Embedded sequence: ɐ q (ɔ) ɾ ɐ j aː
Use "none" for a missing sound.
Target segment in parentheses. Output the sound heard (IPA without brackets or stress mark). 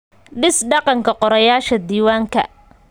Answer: ɔ